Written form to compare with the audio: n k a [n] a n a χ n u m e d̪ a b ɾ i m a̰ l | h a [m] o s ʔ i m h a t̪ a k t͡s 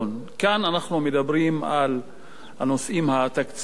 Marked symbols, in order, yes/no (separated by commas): yes, no